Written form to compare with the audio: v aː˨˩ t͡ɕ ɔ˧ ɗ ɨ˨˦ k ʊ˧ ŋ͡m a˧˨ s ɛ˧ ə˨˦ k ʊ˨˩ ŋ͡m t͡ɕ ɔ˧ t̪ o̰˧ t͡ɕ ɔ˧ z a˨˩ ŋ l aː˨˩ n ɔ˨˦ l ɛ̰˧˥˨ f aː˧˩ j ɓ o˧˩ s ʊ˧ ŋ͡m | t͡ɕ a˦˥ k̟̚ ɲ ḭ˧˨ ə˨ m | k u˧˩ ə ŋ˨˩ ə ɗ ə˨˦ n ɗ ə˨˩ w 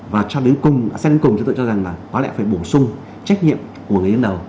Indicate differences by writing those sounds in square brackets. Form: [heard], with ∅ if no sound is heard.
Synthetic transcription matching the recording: v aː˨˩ t͡ɕ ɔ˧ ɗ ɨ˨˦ k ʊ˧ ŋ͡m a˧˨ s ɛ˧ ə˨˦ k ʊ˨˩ ŋ͡m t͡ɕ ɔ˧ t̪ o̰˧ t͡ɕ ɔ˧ z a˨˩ ŋ l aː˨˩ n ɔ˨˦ l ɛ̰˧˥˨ f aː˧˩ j ɓ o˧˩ s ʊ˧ ŋ͡m | t͡ɕ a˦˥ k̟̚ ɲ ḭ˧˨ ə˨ m | k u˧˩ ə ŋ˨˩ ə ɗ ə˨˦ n ɗ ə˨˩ w